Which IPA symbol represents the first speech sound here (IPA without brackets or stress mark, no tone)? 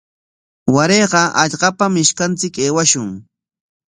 w